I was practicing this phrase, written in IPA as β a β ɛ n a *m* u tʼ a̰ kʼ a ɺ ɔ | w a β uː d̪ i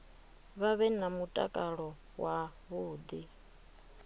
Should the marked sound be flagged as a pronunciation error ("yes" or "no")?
no